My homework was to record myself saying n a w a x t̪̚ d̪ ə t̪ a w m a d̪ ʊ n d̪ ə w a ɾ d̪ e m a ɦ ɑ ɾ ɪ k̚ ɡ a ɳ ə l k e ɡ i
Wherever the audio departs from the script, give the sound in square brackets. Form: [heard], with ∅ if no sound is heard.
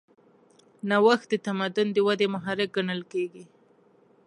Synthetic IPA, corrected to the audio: n a w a x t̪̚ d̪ ə t̪ a [∅] m a d̪ ʊ n d̪ ə w a [∅] d̪ e m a ɦ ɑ ɾ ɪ k̚ ɡ a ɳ ə l k e ɡ i